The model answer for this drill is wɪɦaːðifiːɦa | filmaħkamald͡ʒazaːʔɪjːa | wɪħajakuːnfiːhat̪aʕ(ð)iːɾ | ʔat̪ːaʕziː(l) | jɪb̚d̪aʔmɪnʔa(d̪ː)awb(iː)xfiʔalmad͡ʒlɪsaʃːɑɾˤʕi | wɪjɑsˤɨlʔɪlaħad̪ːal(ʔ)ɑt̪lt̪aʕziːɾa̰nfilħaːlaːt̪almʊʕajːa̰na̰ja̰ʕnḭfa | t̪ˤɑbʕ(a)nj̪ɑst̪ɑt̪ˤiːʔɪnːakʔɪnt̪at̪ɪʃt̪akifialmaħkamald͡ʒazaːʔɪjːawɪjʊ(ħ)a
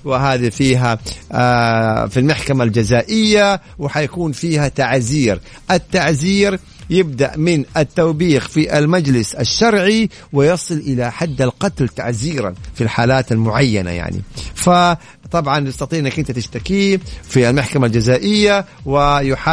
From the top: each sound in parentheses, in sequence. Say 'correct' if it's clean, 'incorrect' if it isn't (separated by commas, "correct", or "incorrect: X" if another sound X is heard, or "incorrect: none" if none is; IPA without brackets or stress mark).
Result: incorrect: z, incorrect: ɾ, incorrect: t̪ː, correct, incorrect: q, incorrect: ɑ, correct